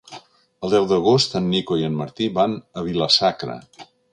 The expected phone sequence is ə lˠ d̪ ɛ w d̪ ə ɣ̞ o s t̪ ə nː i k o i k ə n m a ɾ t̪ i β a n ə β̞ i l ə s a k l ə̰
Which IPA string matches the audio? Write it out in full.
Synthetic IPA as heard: ə lˠ d̪ ɛ w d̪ ə ɣ̞ o s t̪ ə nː i k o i ə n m ə ɾ t̪ i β a n ə β̞ i l ə s a k ɾ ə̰

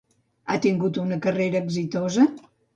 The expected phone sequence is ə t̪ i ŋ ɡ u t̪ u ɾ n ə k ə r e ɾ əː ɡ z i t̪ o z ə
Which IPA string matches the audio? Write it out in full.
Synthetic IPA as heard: a t̪ i ŋ ɡ u t̪ u n ə k ə r e ɾ əː ɡ z i t̪ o z ə

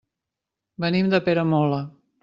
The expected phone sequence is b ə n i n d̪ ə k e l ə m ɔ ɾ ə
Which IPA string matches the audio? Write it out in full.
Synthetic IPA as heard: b ə n i m d̪ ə p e ɾ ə m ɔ l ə

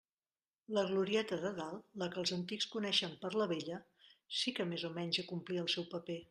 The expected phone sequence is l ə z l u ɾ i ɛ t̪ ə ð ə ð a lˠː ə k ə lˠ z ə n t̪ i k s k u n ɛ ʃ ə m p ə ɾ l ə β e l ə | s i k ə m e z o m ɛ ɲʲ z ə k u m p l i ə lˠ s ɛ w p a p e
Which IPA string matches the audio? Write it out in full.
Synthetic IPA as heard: l ə ɣ l u ɾ i ɛ t̪ ə ð ə ð a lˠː ə k ə lˠ z ə n t̪ i k s k u n ɛ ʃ ə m p ə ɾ l ə β e ʎ ə | s i k ə m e z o m ɛ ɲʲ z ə k u m p l i ə lˠ s ɛ w p ə p e

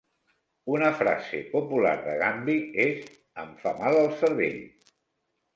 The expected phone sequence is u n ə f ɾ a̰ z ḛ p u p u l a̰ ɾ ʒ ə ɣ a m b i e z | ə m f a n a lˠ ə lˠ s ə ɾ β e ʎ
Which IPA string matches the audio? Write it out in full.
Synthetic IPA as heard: u n ə f ɾ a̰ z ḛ p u p u l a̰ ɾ ð ə ɣ a m b i e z | ə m f a m a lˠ ə lˠ s ə ɾ β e ʎ

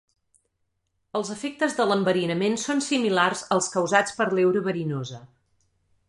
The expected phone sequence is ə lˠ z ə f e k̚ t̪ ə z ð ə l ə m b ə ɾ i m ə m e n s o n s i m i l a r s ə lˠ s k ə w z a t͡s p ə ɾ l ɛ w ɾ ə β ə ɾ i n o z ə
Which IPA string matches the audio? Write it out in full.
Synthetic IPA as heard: ə lˠ z ə f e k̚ t̪ ə z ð ə l ə m b ə ɾ i n ə m e n s o n s i m i l a r z ə lˠ s k ə w z a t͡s p ə ɾ l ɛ w ɾ ə β ə ɾ i n o z ə

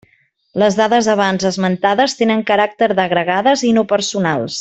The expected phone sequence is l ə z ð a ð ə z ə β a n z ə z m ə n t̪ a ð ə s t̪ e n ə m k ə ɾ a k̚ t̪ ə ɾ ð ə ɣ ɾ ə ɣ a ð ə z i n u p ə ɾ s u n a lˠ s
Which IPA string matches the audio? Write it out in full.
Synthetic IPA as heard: l ə z ð a ð ə z ə β a n z ə z m ə n t̪ a ð ə s t̪ e n ə ŋ k ə ɾ a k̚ t̪ ə ɾ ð ə ɣ ɾ ə ɣ a ð ə z i n o p ə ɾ s u n a lˠ s

